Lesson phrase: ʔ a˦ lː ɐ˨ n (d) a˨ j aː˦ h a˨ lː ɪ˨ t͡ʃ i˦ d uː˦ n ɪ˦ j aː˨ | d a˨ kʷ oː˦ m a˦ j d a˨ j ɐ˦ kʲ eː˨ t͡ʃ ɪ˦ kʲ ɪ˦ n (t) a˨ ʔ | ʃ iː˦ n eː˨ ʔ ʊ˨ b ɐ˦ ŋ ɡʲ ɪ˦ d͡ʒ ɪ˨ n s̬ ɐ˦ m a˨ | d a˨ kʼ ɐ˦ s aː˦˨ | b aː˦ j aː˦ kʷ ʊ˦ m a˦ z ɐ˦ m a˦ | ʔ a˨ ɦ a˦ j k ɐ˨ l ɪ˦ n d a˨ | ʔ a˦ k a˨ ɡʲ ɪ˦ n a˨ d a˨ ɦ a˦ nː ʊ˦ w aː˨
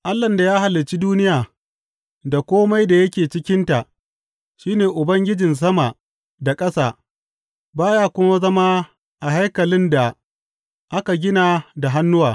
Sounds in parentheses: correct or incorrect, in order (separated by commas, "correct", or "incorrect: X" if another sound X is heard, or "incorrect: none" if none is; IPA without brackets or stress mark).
correct, correct